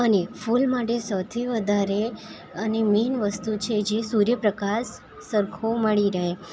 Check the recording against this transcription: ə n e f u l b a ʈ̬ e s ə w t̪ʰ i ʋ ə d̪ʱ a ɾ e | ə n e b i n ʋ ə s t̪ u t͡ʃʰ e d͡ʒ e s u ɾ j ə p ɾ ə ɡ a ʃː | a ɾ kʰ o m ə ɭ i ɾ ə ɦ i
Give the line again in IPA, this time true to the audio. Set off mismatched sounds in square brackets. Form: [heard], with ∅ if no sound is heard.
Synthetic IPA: ə n e f u l [m] a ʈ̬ e s ə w t̪ʰ i ʋ ə d̪ʱ a ɾ e | ə n e [m] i n ʋ ə s t̪ u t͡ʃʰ e d͡ʒ e s u ɾ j ə p ɾ ə [k] a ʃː | [ə] ɾ kʰ o m ə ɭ i ɾ ə ɦ [e]